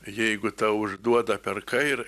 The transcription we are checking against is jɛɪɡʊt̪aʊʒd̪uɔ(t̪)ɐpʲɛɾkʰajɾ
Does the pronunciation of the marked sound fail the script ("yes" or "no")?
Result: yes